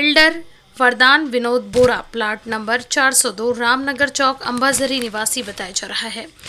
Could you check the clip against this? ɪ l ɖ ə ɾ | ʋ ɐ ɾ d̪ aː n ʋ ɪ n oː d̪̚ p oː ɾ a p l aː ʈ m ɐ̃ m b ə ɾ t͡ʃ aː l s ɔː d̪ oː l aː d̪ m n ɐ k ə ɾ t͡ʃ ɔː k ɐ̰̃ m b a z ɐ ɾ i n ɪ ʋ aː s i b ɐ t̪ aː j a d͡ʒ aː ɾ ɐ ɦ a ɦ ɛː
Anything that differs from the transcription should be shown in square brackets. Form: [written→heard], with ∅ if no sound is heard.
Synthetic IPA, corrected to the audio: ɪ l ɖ ə ɾ | ʋ ɐ ɾ d̪ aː n ʋ ɪ n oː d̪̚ [p→b] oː ɾ a p l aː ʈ [m→n] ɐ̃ m b ə ɾ t͡ʃ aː [l→ɾ] s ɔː d̪ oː [l→ɾ] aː [d̪→∅] m n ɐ [k→ɡ] ə ɾ t͡ʃ ɔː k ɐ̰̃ m b a z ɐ ɾ i n ɪ ʋ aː s i b ɐ t̪ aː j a d͡ʒ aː ɾ ɐ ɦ a ɦ ɛː